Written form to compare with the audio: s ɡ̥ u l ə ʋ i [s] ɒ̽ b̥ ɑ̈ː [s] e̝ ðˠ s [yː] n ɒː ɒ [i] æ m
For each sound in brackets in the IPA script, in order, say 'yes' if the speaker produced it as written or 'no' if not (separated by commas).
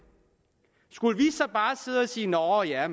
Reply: yes, yes, no, no